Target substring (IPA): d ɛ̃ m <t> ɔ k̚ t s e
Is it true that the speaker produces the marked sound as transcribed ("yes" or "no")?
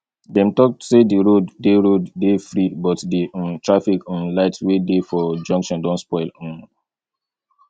yes